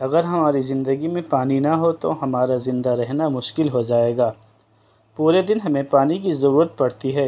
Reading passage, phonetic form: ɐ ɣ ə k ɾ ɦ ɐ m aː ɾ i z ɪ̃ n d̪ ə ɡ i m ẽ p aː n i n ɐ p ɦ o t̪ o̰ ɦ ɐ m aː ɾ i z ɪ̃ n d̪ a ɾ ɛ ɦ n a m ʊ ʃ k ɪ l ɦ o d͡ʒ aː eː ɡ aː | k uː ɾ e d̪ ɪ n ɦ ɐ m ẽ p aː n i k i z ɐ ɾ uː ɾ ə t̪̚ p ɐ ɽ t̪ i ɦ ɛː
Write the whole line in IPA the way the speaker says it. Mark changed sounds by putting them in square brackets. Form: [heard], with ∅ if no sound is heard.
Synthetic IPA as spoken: ɐ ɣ ə [∅] ɾ ɦ ɐ m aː ɾ i z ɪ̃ n d̪ ə ɡ i m ẽ p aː n i n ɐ [∅] ɦ o t̪ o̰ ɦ ɐ m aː ɾ [a] z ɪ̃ n d̪ a ɾ ɛ ɦ n a m ʊ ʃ k ɪ l ɦ o d͡ʒ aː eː ɡ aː | [p] uː ɾ e d̪ ɪ n ɦ ɐ m ẽ p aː n i k i z ɐ ɾ uː ɾ ə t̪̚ p ɐ ɽ t̪ i ɦ ɛː

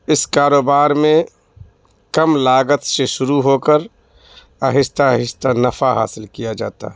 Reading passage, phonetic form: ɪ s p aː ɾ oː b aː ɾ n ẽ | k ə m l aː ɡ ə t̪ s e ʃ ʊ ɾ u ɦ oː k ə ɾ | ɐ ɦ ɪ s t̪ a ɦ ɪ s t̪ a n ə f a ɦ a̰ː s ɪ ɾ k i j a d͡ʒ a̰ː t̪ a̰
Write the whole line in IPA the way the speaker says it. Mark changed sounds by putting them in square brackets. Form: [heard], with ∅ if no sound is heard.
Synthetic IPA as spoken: ɪ s [k] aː ɾ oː b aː ɾ [m] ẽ | k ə m l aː ɡ ə t̪ s e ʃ ʊ ɾ u ɦ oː k ə ɾ | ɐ ɦ ɪ s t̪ a ɦ ɪ s t̪ a n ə f a ɦ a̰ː s ɪ [l] k i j a d͡ʒ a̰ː t̪ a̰

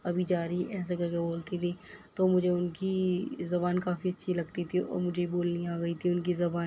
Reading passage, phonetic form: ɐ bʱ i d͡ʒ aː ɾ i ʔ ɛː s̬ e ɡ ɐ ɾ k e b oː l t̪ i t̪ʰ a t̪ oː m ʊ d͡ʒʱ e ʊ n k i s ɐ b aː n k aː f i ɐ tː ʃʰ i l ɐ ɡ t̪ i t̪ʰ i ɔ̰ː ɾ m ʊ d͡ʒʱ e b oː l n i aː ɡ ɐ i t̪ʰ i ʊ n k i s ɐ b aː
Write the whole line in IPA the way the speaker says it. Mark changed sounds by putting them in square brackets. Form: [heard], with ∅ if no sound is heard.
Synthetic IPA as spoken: ɐ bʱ i d͡ʒ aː ɾ i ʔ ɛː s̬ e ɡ ɐ ɾ k e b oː l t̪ i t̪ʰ [i] t̪ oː m ʊ d͡ʒʱ e ʊ n k i [z] ɐ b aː n k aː f i ɐ tː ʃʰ i l ɐ ɡ t̪ i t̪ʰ i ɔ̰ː ɾ m ʊ d͡ʒʱ e b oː l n i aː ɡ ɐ i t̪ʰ i ʊ n k i [z] ɐ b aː

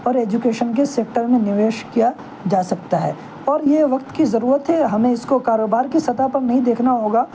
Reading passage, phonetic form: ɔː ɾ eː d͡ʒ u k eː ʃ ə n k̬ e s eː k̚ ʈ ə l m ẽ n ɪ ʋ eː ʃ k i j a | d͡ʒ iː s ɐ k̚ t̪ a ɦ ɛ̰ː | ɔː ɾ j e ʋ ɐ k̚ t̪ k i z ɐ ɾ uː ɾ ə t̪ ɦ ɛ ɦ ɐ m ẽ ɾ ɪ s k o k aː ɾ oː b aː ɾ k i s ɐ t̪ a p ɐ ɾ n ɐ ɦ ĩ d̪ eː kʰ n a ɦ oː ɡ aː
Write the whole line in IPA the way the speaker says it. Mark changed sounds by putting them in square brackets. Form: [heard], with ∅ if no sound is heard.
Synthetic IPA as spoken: ɔː ɾ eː d͡ʒ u k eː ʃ ə n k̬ e s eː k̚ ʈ ə [ɾ] m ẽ n ɪ ʋ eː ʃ k i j a | d͡ʒ [aː] s ɐ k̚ t̪ a ɦ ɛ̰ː | ɔː ɾ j e ʋ ɐ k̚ t̪ k i z ɐ ɾ uː ɾ ə t̪ ɦ ɛ ɦ ɐ m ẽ [∅] ɪ s k o k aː ɾ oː b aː ɾ k i s ɐ t̪ a p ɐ ɾ n ɐ ɦ ĩ d̪ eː kʰ n a ɦ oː ɡ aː

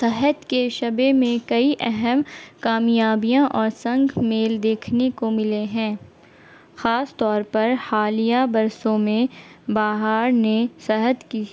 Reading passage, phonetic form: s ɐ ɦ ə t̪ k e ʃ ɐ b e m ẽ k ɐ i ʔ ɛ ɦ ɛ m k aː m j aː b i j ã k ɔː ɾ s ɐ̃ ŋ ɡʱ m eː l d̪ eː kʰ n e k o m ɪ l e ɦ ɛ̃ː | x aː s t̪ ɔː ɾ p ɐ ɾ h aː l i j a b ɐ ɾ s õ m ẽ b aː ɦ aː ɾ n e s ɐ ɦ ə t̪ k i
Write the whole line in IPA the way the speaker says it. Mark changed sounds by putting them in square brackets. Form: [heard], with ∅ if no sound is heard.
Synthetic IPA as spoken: s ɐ ɦ ə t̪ k e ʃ ɐ b e m ẽ k ɐ i ʔ ɛ ɦ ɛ m k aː m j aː b i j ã [ʔ] ɔː ɾ s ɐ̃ ŋ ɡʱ m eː l d̪ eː kʰ n e k o m ɪ l e ɦ ɛ̃ː | x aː s t̪ ɔː ɾ p ɐ ɾ h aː l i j a b ɐ ɾ s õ m ẽ b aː ɦ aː ɾ n e s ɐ ɦ ə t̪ k i

